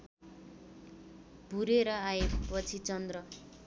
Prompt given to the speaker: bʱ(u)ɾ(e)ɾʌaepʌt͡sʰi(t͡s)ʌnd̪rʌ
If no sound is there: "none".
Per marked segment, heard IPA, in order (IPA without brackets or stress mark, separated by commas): u, e, t͡s